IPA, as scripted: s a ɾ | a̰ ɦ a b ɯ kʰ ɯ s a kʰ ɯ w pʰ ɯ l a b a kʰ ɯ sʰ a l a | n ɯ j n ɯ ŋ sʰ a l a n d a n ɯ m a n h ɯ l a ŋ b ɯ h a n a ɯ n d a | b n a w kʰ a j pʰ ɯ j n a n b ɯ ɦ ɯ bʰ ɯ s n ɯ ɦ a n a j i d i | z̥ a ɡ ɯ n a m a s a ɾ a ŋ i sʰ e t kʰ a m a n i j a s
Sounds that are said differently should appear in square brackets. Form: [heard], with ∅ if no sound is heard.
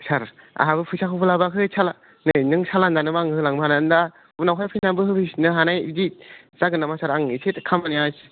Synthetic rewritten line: s a ɾ | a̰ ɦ a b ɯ [pʰ] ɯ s a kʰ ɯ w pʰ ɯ l a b a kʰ ɯ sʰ a l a | n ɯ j n ɯ ŋ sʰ a l a n d a n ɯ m a [ŋ] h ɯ l a ŋ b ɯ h a n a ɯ n d a | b n a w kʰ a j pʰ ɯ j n a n b ɯ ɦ ɯ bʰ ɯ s n ɯ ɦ a n a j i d i | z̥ a ɡ ɯ n a m a s a ɾ a ŋ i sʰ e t kʰ a m a n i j a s